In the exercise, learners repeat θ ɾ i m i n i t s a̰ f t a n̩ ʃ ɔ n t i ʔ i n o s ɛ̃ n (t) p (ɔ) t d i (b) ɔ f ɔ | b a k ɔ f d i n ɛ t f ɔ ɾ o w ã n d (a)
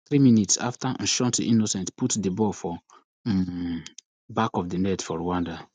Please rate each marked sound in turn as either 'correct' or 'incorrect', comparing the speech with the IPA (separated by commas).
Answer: correct, incorrect, correct, correct